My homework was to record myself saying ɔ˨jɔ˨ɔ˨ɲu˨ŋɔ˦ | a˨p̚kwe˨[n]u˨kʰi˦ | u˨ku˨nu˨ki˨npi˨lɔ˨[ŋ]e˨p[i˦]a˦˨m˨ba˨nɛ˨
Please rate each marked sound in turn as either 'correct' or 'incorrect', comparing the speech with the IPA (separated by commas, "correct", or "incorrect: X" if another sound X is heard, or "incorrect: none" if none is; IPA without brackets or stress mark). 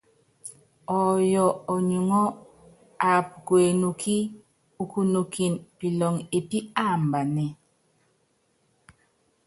correct, correct, correct